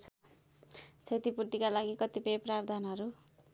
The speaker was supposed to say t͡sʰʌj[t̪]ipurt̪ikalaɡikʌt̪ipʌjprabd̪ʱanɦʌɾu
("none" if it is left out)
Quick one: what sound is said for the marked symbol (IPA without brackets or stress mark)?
t̪